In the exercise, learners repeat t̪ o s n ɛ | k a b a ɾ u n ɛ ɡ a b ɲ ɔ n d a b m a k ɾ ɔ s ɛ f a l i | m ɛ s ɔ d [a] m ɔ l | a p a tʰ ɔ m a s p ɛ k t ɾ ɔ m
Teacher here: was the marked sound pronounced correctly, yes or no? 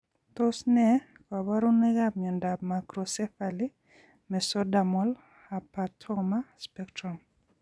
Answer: yes